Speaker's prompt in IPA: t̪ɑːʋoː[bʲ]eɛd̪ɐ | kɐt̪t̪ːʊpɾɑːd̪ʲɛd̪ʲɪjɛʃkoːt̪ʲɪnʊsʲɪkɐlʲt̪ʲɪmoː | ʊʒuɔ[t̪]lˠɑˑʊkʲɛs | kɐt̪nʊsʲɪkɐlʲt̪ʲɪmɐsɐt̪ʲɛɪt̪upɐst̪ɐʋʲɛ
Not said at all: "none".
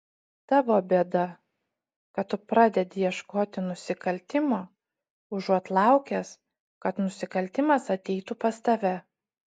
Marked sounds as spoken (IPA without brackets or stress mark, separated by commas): bʲ, t̪